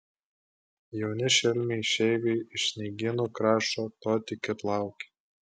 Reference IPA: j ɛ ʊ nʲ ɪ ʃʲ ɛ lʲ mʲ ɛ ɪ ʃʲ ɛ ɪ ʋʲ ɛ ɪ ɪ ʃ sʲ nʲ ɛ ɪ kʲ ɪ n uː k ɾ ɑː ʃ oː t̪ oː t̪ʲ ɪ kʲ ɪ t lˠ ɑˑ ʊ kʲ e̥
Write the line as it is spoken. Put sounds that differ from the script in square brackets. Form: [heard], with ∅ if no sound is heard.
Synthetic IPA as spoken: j ɛ ʊ nʲ ɪ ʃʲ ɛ lʲ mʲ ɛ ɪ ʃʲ ɛ ɪ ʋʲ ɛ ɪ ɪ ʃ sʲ nʲ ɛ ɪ [ɡʲ] ɪ n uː k ɾ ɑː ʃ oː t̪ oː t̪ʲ ɪ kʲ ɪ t lˠ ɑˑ ʊ kʲ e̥